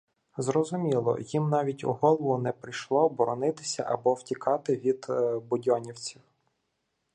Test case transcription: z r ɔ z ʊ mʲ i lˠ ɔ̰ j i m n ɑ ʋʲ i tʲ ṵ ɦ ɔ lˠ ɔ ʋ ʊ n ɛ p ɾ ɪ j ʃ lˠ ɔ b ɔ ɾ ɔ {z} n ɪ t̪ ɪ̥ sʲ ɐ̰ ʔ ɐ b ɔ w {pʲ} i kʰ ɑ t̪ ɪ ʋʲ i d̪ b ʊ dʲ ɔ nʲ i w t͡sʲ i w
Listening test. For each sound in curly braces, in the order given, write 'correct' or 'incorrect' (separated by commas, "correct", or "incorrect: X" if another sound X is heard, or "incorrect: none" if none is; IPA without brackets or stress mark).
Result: incorrect: none, incorrect: tʲ